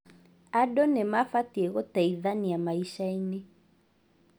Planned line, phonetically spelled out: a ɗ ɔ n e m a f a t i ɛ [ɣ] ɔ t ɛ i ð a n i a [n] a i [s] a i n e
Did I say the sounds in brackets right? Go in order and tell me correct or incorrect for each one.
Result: correct, incorrect: m, incorrect: ʃ

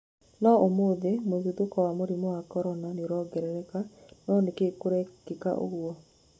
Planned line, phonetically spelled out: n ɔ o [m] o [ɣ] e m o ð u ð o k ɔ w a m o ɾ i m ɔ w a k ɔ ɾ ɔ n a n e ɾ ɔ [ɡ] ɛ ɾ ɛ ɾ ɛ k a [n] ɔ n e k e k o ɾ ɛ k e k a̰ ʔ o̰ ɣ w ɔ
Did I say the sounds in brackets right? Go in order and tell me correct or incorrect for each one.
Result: correct, incorrect: ð, correct, correct

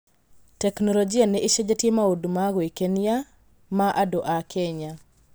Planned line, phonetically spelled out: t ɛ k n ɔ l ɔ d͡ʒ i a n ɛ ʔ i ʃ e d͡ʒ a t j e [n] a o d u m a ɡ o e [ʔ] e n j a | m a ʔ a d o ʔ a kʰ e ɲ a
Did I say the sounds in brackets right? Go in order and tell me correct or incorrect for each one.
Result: incorrect: m, incorrect: k

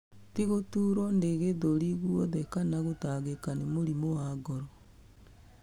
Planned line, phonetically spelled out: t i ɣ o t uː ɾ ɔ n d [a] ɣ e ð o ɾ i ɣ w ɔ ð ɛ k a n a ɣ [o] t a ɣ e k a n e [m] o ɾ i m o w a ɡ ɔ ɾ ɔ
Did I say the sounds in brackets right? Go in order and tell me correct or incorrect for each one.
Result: incorrect: e, correct, correct

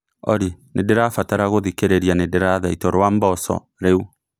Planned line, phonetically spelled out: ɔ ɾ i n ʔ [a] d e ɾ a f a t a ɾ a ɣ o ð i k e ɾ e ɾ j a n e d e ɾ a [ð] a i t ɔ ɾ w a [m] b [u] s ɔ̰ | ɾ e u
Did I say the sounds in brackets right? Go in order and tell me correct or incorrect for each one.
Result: incorrect: e, correct, correct, incorrect: ɔ

